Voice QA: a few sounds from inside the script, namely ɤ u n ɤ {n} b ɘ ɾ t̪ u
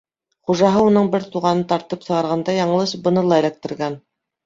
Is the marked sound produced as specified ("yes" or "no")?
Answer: no